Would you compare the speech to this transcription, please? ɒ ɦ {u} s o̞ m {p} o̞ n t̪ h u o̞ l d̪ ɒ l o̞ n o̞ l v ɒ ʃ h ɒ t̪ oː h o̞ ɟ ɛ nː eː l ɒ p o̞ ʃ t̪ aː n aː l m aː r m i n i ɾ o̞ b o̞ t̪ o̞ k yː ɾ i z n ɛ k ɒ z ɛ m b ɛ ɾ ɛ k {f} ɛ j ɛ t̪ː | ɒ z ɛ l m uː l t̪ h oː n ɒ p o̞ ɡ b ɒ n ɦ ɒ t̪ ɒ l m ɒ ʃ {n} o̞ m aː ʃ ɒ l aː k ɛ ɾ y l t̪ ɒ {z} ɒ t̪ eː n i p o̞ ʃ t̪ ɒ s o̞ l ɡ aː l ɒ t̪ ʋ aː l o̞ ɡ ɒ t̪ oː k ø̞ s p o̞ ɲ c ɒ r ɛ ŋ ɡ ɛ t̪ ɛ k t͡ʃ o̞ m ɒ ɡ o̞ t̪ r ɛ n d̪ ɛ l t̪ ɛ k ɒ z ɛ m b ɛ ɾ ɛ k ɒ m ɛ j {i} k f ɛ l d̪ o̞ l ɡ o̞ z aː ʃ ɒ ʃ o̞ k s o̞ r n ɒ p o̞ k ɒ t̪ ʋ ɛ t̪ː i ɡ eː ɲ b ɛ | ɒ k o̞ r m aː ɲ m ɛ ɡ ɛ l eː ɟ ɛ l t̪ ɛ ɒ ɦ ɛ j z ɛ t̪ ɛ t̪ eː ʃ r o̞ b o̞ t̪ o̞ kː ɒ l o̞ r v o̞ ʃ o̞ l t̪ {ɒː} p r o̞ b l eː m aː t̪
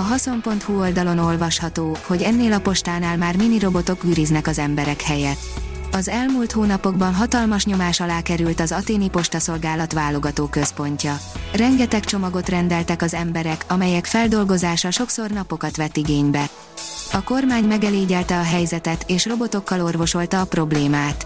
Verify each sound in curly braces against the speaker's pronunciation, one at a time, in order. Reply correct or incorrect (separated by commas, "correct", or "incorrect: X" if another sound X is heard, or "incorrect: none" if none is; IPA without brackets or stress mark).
incorrect: ɒ, correct, incorrect: h, incorrect: ɲ, correct, incorrect: ɛ, correct